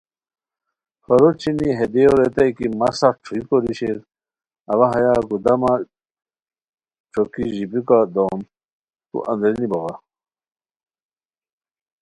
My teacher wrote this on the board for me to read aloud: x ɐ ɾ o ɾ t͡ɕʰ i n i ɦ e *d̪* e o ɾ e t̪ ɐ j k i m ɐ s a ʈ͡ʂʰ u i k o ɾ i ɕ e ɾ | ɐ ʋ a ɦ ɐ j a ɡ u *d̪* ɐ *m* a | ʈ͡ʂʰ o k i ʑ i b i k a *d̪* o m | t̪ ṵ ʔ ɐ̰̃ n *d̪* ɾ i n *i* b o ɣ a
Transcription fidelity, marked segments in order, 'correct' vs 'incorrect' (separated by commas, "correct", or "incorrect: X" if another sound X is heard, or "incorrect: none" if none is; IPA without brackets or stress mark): correct, correct, correct, correct, correct, correct